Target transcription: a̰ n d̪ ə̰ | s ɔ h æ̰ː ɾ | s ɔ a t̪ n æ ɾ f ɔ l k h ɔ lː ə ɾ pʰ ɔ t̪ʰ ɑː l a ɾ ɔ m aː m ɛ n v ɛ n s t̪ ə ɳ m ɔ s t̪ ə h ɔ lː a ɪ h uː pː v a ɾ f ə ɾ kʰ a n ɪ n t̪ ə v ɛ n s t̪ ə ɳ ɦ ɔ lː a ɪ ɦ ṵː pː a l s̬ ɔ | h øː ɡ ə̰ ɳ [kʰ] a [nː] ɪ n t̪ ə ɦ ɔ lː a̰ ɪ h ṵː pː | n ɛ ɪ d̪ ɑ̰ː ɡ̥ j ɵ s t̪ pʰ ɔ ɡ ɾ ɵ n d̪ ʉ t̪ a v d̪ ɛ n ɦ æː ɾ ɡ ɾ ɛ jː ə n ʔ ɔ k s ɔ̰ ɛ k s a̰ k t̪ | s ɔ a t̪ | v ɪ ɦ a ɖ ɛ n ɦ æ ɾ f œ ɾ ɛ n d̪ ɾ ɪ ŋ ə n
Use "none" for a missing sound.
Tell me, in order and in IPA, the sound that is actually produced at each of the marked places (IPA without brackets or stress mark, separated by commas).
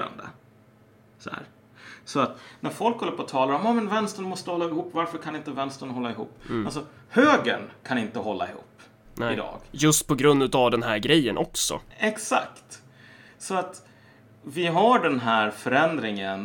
kʰ, n